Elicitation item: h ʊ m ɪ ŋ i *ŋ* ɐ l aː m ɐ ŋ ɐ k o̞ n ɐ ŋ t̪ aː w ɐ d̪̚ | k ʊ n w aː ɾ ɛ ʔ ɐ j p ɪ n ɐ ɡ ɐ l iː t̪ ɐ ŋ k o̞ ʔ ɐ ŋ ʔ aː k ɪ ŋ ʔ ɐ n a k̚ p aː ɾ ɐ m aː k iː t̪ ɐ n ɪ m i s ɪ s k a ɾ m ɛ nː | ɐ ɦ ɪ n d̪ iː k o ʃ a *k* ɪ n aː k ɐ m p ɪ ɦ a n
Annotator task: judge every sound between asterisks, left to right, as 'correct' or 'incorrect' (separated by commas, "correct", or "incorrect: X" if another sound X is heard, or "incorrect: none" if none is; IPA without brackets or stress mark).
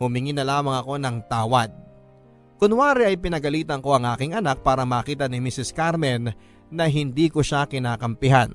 incorrect: n, correct